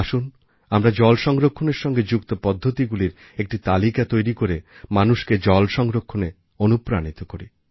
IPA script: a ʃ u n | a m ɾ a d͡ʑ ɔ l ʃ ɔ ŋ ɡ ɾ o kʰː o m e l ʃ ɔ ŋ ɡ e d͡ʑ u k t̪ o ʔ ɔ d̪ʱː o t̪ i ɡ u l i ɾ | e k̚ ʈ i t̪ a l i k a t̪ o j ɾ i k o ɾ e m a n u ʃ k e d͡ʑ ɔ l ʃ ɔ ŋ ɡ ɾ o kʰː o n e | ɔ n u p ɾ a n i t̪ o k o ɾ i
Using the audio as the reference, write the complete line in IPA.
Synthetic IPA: a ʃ u n | a m ɾ a d͡ʑ ɔ l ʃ ɔ ŋ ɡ ɾ o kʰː o n e ɾ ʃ ɔ ŋ ɡ e d͡ʑ u k t̪ o p ɔ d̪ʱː o t̪ i ɡ u l i ɾ | e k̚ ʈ i t̪ a l i k a t̪ o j ɾ i k o ɾ e m a n u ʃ k e d͡ʑ ɔ l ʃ ɔ ŋ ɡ ɾ o kʰː o n e | o n u p ɾ a n i t̪ o k o ɾ i